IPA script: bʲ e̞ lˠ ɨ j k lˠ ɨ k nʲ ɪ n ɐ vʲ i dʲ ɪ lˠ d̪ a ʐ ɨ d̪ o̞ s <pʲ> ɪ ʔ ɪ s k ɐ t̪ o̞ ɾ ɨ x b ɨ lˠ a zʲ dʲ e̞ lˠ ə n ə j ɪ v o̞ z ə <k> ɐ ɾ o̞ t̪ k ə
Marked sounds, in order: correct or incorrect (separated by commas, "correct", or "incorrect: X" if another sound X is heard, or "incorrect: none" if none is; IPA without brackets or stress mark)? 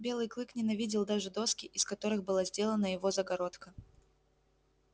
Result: incorrect: kʲ, incorrect: ɡ